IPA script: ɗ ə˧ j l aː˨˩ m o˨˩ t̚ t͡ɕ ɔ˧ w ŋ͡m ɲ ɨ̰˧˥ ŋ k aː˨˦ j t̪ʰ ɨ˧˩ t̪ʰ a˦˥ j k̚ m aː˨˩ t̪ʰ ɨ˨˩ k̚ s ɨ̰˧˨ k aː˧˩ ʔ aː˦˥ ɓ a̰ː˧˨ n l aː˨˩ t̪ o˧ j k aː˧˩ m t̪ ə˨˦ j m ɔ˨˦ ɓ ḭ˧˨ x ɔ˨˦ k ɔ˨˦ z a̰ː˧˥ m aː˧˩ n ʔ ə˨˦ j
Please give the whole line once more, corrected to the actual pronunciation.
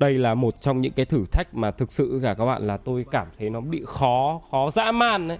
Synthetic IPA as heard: ɗ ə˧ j l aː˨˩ m o˨˩ t̚ t͡ɕ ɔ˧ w ŋ͡m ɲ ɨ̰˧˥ ŋ k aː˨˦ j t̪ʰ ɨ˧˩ t̪ʰ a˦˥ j k̚ m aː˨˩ t̪ʰ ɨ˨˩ k̚ s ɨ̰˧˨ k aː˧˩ k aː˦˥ ɓ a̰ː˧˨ n l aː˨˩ t̪ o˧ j k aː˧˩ m t̪ʰ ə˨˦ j n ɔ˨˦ ɓ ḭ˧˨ x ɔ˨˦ x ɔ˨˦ z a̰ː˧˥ m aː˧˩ n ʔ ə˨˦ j